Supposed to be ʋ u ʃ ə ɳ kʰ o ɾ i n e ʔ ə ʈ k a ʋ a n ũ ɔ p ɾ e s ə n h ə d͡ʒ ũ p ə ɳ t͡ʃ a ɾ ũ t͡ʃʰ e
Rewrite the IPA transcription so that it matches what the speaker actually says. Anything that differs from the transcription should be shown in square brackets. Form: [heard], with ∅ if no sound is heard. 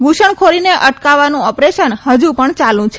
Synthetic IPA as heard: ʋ u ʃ ə ɳ kʰ o ɾ i n e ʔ ə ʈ k a ʋ a n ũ ɔ p ɾ e [ʃ] ə n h ə d͡ʒ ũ p ə ɳ t͡ʃ a [l] ũ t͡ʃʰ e